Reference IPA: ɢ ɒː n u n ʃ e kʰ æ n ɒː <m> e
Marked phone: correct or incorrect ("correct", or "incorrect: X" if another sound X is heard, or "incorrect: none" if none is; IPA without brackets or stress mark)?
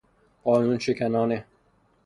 incorrect: n